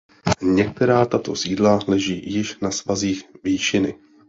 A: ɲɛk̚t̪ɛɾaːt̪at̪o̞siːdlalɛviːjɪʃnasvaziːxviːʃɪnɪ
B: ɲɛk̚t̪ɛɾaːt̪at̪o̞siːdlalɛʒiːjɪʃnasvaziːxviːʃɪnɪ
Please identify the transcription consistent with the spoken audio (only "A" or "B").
B